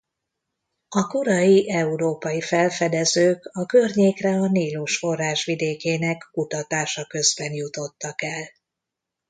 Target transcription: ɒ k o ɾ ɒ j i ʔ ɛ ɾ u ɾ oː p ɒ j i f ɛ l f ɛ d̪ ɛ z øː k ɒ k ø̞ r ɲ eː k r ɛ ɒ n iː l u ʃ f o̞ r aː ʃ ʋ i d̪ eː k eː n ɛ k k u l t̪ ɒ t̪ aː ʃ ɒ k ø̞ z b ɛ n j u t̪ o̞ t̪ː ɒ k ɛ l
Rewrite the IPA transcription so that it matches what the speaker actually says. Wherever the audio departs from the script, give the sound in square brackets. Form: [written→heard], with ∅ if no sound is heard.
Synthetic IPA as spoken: ɒ k o ɾ ɒ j i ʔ ɛ [ɾ→∅] u ɾ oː p ɒ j i f ɛ l f ɛ d̪ ɛ z øː k ɒ k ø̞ r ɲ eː k r ɛ ɒ n iː l u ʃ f o̞ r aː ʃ ʋ i d̪ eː k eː n ɛ k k u [l→∅] t̪ ɒ t̪ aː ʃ ɒ k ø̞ z b ɛ n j u t̪ o̞ t̪ː ɒ k ɛ l

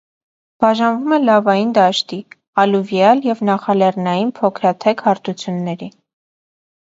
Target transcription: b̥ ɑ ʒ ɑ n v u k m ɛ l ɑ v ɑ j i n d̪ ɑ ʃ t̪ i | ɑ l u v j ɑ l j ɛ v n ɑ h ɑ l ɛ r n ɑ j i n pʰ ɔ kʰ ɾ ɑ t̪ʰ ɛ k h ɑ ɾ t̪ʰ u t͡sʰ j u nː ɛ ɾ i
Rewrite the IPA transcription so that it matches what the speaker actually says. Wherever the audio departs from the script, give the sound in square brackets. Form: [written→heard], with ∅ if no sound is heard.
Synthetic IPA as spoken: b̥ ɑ ʒ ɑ n v u [k→∅] m ɛ l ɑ v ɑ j i n d̪ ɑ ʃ t̪ i | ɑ l u v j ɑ l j ɛ v n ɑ [h→χ] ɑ l ɛ r n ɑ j i n pʰ ɔ kʰ ɾ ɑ t̪ʰ ɛ k h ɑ ɾ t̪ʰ u t͡sʰ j u nː ɛ ɾ i

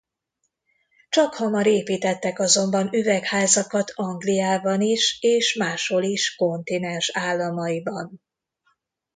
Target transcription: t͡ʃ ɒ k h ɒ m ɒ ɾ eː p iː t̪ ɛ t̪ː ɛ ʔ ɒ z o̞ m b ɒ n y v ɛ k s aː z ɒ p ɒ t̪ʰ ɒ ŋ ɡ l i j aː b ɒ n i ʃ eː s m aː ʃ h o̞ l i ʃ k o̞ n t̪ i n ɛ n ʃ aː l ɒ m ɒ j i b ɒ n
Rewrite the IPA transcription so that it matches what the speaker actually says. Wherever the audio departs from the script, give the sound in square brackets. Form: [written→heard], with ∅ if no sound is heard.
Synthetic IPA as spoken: t͡ʃ ɒ k h ɒ m ɒ ɾ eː p iː t̪ ɛ t̪ː ɛ [ʔ→k] ɒ z o̞ m b ɒ n y v ɛ k [s→h] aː z ɒ [p→k] ɒ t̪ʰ ɒ ŋ ɡ l i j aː b ɒ n i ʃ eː [s→ʃ] m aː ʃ h o̞ l i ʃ k o̞ n t̪ i n ɛ n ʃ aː [l→lː] ɒ m ɒ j i b ɒ n

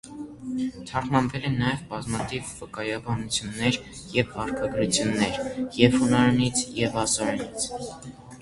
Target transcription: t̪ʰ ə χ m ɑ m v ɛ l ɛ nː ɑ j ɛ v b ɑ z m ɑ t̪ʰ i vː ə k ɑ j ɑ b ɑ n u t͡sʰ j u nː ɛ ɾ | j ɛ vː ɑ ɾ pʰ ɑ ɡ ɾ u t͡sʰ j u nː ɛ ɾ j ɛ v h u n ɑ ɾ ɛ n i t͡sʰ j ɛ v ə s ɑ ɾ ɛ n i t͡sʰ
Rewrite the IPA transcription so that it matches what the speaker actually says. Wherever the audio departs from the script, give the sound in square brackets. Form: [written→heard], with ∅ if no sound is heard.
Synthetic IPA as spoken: t̪ʰ [ə→ɑ] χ m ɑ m v ɛ l ɛ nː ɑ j ɛ v b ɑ z m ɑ t̪ʰ i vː ə k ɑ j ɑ b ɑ n u t͡sʰ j u nː ɛ ɾ | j ɛ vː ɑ ɾ [pʰ→kʰ] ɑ ɡ ɾ u t͡sʰ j u nː ɛ ɾ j ɛ v h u n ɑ ɾ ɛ n i t͡sʰ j ɛ v [ə→ɑ] s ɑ ɾ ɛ n i t͡sʰ

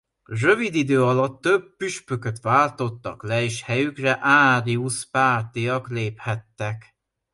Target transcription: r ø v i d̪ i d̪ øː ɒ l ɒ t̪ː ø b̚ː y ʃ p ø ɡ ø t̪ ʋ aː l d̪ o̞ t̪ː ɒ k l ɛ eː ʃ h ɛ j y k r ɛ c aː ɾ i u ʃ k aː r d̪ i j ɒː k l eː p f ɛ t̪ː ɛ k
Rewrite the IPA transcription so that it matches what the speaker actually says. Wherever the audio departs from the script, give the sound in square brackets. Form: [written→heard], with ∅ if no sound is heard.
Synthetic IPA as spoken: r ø v i d̪ i d̪ øː ɒ l ɒ t̪ː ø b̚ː y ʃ p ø [ɡ→k] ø t̪ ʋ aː l [d̪→t̪] o̞ t̪ː ɒ k l ɛ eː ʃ h ɛ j y k r ɛ [c→ʔ] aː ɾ i u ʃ [k→p] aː r [d̪→t̪] i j [ɒː→ɒ] k l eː p [f→h] ɛ t̪ː ɛ k

